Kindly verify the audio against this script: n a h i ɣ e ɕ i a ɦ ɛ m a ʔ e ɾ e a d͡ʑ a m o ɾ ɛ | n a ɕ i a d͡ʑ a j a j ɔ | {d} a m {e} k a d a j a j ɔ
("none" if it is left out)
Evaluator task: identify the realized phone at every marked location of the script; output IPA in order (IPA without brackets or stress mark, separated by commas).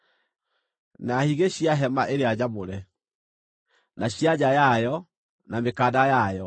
n, e